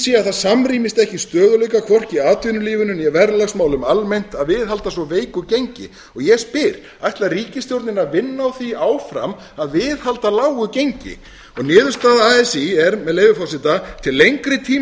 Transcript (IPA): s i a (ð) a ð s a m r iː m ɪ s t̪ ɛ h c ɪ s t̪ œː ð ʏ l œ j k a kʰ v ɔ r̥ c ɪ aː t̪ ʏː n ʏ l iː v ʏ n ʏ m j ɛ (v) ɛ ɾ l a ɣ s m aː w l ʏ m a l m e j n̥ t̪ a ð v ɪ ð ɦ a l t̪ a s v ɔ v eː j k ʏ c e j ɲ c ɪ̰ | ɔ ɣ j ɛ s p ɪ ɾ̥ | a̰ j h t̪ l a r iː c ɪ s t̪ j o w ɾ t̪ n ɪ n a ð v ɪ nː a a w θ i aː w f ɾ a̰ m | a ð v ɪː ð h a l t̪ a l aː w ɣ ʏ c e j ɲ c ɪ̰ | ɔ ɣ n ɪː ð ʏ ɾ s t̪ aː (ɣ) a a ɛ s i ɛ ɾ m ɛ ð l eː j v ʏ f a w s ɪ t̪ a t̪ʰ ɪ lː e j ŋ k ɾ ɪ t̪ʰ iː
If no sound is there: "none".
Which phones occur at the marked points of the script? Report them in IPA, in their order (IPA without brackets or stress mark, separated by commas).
θ, v, ð